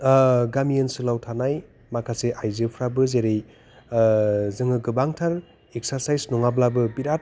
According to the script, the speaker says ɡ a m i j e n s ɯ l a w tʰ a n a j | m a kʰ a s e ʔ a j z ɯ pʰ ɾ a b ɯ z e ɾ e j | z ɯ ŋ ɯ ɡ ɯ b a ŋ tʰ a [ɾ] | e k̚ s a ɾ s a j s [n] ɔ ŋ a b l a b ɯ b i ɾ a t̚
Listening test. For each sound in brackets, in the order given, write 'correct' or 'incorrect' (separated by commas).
correct, correct